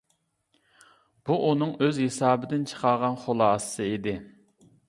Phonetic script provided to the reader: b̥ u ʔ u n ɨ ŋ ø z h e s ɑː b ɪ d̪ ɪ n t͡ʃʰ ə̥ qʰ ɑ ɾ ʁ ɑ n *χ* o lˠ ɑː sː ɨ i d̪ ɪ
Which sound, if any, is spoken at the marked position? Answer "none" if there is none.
χ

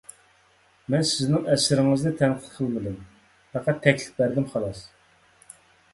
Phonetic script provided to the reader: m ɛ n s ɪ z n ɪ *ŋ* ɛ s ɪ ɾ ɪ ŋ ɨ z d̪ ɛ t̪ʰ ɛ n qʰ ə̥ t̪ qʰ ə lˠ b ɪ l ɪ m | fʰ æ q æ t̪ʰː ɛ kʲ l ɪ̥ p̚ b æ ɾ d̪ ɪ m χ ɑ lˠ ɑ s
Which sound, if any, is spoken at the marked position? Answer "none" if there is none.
ŋ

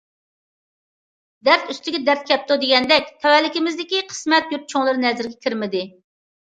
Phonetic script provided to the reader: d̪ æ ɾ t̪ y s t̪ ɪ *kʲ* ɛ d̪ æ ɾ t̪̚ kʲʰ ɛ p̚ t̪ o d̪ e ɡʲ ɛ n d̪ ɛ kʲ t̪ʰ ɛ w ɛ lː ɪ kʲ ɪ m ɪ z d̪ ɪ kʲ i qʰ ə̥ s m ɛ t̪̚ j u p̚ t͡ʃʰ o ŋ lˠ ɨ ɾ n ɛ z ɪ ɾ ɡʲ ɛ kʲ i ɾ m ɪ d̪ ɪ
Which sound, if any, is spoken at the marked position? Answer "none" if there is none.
ɡʲ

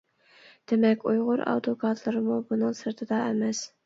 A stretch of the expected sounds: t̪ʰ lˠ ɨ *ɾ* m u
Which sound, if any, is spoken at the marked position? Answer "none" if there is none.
ɾ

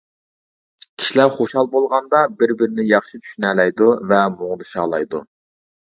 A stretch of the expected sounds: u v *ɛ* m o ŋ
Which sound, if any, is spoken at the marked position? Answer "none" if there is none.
ɛ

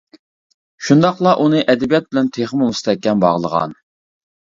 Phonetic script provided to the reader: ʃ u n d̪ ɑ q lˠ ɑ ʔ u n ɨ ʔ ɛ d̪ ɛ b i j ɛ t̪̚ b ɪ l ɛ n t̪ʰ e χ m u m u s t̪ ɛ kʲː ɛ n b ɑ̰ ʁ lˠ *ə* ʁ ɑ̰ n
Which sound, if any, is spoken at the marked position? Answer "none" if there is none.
ə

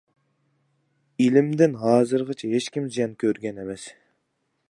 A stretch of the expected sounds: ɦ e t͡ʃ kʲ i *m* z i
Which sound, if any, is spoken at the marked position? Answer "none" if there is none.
m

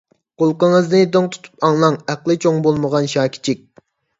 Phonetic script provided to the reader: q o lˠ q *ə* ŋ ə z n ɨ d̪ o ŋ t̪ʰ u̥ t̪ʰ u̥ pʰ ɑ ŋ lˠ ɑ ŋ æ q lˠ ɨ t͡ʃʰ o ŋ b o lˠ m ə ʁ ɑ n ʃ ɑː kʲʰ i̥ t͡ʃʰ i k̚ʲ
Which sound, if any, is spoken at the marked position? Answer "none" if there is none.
ə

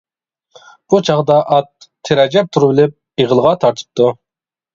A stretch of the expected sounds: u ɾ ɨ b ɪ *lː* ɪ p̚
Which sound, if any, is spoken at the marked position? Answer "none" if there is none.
l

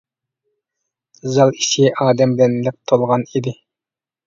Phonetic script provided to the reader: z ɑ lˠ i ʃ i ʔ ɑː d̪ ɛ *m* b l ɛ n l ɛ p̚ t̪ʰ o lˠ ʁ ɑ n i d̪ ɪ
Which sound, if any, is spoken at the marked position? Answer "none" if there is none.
m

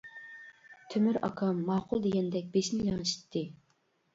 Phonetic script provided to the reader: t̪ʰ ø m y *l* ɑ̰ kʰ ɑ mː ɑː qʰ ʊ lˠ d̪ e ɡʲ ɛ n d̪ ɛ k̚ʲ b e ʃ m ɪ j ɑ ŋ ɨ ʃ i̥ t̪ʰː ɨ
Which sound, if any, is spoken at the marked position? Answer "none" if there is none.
ɾ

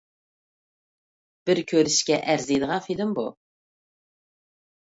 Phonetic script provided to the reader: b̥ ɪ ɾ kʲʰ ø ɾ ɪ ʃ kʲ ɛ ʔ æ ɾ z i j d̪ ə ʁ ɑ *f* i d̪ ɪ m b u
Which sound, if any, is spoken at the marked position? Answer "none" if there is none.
f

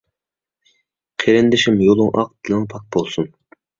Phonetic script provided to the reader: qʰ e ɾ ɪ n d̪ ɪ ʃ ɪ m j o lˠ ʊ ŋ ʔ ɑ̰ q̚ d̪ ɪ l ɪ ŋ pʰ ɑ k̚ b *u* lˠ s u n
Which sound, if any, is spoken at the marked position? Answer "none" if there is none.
o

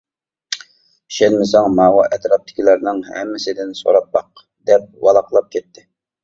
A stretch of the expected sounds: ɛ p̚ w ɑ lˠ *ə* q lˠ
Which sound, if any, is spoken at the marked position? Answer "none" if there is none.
ɑ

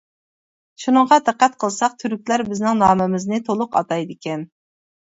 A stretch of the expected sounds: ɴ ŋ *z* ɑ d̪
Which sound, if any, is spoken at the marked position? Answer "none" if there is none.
ʁ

